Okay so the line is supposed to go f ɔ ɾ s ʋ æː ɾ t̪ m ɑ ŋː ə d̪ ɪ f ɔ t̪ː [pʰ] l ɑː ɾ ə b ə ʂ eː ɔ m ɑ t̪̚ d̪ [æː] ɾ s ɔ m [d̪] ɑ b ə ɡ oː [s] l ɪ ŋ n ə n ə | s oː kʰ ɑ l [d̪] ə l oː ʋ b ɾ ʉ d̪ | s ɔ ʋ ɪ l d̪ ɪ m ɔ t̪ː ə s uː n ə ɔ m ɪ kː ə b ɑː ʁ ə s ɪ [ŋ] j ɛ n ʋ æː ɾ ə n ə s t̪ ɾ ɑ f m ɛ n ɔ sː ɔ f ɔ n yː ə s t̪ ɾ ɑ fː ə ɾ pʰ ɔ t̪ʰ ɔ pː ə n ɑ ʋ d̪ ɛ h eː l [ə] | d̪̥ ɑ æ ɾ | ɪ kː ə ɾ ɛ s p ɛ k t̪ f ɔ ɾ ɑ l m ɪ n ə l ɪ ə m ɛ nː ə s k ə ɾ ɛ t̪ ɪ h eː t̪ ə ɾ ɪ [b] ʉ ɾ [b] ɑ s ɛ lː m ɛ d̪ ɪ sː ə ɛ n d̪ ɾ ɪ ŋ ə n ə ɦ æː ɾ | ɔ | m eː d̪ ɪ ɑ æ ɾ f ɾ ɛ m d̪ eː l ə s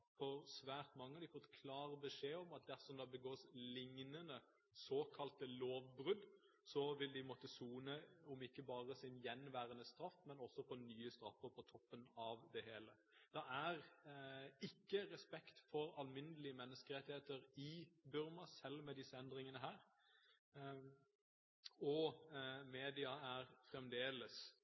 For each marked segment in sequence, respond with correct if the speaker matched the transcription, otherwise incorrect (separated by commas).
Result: incorrect, incorrect, correct, correct, incorrect, incorrect, correct, correct, incorrect